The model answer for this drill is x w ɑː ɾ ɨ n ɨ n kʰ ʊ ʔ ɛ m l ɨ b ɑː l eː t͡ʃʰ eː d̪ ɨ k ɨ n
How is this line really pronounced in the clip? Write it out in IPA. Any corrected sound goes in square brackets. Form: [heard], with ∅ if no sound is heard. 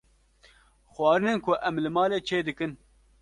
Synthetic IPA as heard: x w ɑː ɾ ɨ n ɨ n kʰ ʊ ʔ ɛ m l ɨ [m] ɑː l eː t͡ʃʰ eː d̪ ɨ k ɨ n